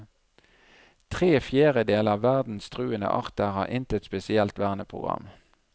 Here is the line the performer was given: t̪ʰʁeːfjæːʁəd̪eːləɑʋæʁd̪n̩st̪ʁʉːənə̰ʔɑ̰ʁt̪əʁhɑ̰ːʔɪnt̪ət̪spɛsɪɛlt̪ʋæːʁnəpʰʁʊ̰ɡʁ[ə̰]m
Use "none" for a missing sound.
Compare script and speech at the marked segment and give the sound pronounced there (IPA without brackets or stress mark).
ɑ̰